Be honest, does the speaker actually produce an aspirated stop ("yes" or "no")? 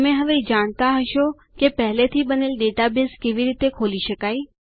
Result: yes